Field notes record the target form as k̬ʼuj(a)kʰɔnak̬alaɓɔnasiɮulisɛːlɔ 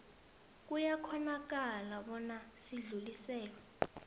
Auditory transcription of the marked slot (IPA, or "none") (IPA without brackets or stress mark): a